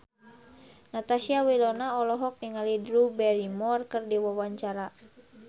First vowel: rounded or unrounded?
unrounded